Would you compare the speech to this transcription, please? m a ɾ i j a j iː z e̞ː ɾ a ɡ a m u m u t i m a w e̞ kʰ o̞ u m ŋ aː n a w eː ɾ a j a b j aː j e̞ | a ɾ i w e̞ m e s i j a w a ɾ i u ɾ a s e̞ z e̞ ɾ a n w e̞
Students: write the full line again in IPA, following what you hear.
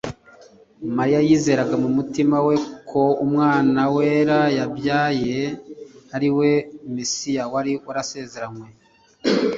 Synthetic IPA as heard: m a ɾ i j a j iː z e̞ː ɾ a ɡ a m u m u t i m a w e̞ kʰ o̞ u m ŋ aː n a w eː ɾ a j a b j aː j e̞ | a ɾ i w e̞ m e s i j a w a ɾ i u ɾ a s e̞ z e̞ ɾ a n w e̞